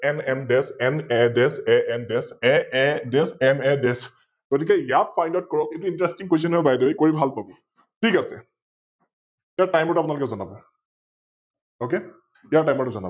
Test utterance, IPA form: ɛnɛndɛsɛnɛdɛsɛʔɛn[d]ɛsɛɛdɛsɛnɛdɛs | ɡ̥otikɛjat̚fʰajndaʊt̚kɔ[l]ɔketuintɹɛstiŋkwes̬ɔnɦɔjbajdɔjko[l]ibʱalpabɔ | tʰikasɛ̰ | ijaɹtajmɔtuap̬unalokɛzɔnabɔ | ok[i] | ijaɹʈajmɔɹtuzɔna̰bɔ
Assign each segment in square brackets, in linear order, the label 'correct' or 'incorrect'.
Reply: correct, incorrect, incorrect, incorrect

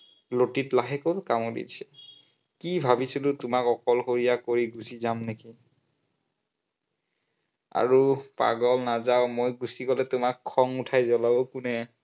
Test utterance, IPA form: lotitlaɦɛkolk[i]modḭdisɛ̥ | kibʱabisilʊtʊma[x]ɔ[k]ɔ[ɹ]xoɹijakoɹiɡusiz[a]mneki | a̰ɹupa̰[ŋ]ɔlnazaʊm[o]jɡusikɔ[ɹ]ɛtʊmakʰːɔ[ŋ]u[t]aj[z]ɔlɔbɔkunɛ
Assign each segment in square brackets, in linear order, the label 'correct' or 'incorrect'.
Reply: incorrect, incorrect, correct, incorrect, correct, incorrect, correct, incorrect, correct, incorrect, correct

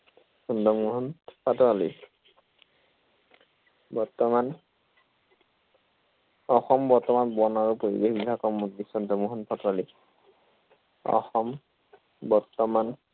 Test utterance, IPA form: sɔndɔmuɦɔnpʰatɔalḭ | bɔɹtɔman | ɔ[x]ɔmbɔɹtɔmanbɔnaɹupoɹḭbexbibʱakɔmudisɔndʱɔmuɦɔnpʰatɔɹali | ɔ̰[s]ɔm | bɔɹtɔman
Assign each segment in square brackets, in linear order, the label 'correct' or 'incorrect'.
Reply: correct, incorrect

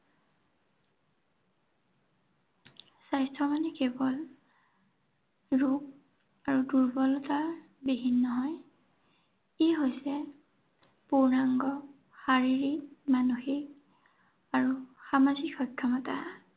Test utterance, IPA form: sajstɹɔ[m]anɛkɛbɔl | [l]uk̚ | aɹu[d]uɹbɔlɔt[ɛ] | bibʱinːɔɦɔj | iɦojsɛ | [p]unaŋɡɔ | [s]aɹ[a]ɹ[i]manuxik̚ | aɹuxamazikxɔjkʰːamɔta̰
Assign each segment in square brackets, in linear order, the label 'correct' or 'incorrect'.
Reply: correct, incorrect, correct, incorrect, correct, incorrect, incorrect, correct

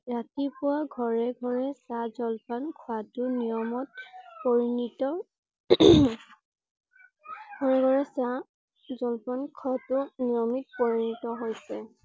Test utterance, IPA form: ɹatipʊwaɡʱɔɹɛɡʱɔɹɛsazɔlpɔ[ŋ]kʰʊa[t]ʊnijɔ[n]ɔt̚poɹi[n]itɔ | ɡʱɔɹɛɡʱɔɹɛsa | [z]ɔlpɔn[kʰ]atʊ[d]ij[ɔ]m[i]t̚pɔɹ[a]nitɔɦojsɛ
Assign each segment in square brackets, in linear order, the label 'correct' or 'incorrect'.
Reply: incorrect, correct, incorrect, correct, correct, correct, incorrect, correct, correct, incorrect

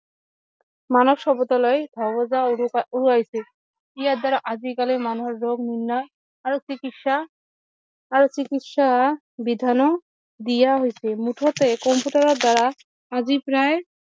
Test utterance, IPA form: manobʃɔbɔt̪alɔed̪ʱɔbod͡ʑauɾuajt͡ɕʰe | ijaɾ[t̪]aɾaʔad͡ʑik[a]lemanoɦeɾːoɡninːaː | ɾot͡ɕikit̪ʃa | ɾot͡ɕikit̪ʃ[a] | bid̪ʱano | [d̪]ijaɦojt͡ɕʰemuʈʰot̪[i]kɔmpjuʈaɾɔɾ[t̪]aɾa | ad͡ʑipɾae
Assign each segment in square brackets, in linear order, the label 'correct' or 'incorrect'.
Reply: incorrect, correct, correct, correct, incorrect, incorrect

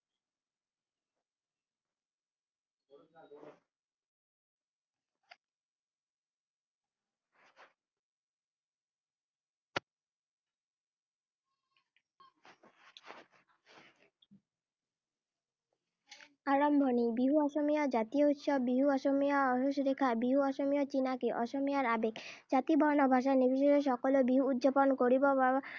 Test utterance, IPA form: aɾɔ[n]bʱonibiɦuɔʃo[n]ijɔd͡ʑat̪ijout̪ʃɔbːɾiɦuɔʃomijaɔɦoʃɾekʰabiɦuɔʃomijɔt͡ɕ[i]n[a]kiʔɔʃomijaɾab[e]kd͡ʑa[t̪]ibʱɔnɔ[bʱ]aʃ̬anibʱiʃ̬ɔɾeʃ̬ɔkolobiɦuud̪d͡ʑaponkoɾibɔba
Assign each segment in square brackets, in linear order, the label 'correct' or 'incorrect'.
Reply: incorrect, incorrect, correct, correct, correct, correct, correct

